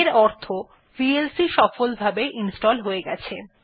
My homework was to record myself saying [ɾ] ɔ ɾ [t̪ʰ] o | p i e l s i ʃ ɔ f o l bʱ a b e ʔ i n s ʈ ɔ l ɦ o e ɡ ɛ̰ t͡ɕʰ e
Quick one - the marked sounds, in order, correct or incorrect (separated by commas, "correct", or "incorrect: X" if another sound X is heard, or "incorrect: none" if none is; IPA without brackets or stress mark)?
correct, correct